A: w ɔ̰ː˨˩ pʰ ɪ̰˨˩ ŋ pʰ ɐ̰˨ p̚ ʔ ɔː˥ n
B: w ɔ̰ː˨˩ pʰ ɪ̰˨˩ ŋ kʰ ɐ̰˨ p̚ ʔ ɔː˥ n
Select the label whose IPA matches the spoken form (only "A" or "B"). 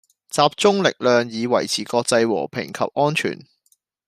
B